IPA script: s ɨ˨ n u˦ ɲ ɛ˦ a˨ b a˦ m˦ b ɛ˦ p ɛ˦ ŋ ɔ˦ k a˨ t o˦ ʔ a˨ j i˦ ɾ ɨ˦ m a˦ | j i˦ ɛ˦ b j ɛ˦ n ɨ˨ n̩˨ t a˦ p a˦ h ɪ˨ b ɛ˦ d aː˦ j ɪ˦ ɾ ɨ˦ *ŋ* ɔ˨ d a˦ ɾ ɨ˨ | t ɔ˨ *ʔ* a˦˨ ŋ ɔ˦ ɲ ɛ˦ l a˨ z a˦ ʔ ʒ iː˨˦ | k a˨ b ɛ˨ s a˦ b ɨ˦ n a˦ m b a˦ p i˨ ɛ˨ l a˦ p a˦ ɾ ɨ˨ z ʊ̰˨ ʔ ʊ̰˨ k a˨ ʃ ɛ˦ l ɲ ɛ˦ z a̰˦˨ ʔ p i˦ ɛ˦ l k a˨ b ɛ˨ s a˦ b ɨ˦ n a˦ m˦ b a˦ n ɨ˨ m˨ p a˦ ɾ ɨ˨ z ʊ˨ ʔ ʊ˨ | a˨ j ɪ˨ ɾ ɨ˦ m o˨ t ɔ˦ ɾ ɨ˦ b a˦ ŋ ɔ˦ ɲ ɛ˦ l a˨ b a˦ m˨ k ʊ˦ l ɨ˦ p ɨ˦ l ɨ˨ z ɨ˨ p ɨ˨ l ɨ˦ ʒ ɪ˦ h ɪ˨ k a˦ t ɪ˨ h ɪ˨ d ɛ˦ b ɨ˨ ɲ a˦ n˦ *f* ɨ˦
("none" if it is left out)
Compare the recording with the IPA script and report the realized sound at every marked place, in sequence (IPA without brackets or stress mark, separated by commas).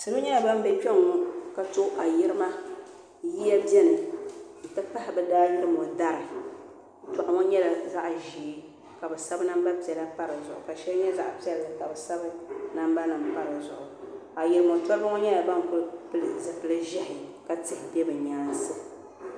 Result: m, ʔ, s